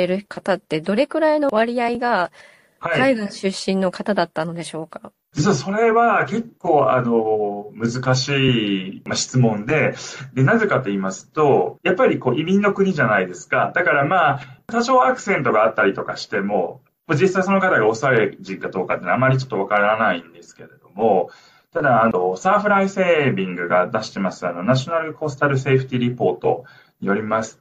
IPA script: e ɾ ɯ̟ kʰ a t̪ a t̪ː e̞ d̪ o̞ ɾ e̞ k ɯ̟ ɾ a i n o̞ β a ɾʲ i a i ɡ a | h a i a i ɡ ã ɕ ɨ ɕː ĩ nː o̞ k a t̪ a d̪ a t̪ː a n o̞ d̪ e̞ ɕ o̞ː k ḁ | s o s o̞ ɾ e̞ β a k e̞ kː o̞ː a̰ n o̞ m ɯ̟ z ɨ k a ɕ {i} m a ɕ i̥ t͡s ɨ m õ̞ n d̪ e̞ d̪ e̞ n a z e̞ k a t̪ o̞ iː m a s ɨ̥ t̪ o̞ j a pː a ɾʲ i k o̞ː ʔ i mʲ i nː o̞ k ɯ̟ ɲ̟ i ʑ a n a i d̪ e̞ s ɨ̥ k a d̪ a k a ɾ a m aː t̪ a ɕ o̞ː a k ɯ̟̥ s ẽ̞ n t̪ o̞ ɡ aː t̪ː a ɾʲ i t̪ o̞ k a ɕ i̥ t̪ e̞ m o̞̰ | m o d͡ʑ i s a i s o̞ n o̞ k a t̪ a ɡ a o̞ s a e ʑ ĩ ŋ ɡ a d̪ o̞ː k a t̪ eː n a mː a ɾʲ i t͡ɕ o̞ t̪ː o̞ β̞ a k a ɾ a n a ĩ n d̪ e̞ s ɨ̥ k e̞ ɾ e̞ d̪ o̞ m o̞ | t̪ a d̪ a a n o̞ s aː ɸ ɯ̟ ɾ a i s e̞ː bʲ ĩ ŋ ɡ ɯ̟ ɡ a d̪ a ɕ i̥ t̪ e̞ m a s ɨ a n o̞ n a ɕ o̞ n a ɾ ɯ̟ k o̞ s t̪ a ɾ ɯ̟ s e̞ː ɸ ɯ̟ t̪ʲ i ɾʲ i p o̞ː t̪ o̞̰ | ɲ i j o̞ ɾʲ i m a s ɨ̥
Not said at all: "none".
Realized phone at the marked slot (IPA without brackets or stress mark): iː